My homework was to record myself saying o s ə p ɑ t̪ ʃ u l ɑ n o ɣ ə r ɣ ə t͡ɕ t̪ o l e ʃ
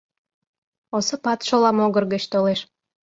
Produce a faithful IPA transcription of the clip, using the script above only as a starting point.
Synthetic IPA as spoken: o s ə p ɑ t̪ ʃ o l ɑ m o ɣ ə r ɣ ə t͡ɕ t̪ o l e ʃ